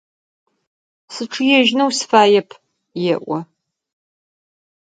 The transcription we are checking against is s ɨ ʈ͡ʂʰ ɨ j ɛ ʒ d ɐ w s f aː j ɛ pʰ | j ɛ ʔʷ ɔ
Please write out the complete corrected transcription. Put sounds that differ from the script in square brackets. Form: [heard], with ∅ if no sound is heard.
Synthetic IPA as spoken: s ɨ ʈ͡ʂʰ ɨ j ɛ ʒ [n] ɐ w s f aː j ɛ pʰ | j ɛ ʔʷ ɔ